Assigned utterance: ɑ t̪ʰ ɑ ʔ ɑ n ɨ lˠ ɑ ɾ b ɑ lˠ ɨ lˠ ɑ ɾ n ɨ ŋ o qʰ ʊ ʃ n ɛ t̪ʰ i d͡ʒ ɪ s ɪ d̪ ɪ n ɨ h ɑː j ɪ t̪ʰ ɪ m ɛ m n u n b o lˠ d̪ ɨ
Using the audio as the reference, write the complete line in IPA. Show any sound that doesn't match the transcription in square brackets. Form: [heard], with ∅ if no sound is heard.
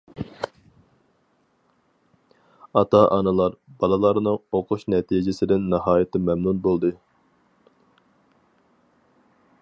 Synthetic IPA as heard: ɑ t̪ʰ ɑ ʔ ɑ n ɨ lˠ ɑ ɾ b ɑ lˠ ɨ lˠ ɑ ɾ n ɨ ŋ o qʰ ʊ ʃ n ɛ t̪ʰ i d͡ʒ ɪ s ɪ d̪ ɪ [nː] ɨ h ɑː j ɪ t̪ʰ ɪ m ɛ m n u n b o lˠ d̪ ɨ